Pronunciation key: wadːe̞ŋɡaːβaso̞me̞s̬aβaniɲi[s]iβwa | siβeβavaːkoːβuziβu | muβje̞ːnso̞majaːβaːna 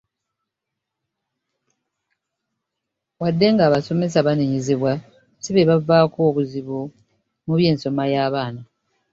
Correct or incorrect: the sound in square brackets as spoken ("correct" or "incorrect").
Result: incorrect